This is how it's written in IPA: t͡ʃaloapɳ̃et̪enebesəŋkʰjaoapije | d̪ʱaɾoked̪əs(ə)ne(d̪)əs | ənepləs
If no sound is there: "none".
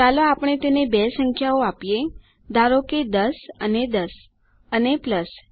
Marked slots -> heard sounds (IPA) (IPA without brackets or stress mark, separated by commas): ə, d̪